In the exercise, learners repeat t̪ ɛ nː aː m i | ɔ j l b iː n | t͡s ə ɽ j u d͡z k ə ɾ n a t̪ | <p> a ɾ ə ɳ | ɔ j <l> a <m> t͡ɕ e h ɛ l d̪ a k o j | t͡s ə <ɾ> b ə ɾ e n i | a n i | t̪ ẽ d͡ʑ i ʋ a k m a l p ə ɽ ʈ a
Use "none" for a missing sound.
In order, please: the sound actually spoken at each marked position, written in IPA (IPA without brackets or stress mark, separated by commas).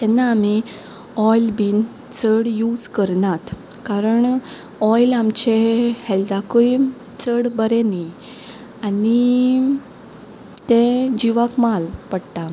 k, l, m, ɽ